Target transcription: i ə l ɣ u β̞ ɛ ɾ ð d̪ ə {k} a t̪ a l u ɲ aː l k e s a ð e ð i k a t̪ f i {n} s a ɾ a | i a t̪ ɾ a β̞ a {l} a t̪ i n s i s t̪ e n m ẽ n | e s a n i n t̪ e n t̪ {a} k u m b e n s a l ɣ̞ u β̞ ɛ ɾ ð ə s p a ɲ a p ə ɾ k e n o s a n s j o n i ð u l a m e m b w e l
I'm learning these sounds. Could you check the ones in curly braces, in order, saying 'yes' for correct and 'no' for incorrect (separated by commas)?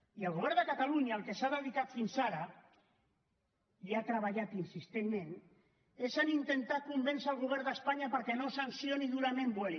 yes, yes, no, yes